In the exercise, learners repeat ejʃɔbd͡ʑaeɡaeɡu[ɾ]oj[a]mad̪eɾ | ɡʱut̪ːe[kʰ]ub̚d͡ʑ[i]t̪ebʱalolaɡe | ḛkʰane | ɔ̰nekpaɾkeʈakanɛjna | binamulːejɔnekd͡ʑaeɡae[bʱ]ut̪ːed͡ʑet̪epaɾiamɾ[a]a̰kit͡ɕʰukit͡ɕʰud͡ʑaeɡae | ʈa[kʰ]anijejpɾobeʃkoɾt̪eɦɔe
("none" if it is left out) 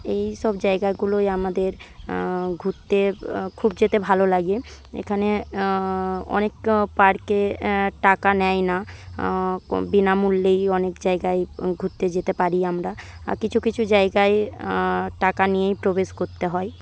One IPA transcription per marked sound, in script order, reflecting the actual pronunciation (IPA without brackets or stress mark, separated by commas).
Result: l, a, kʰ, e, ɡʱ, a, k